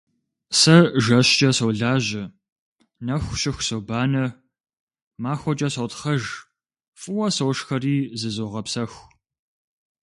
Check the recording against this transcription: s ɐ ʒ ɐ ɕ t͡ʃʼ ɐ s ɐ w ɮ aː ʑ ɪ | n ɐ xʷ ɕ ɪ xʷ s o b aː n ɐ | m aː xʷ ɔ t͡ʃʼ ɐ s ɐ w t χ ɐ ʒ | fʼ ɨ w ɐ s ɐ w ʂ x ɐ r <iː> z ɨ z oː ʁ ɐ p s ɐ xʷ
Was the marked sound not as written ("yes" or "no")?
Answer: no